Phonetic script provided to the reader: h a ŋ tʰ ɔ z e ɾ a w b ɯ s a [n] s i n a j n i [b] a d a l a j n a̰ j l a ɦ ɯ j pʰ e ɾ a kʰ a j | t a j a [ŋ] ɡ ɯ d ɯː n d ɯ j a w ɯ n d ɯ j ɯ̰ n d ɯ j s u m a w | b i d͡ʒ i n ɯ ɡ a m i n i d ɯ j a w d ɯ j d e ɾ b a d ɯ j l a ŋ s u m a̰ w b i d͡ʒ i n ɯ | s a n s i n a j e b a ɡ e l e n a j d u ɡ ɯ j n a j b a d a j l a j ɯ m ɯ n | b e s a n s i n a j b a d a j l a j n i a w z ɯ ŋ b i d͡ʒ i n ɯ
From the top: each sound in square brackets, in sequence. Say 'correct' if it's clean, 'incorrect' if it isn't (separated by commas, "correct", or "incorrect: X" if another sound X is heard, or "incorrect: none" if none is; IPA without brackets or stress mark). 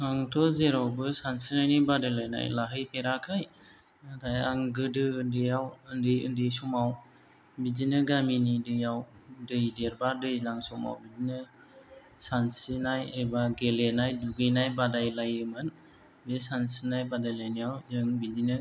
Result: correct, correct, correct